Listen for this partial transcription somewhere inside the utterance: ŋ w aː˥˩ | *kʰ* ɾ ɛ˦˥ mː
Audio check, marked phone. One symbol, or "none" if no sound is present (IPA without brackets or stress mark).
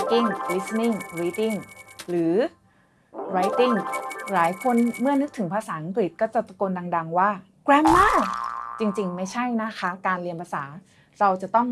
k